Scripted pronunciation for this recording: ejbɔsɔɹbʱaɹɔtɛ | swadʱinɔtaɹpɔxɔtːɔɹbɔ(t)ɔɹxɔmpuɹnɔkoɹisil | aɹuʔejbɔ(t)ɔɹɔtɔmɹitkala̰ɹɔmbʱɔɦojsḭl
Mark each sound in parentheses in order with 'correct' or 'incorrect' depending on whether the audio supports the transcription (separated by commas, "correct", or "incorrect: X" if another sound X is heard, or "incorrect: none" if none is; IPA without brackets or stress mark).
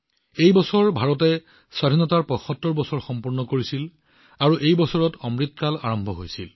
incorrect: s, incorrect: s